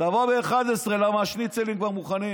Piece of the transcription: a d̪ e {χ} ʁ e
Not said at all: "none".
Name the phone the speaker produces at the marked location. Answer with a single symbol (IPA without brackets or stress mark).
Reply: s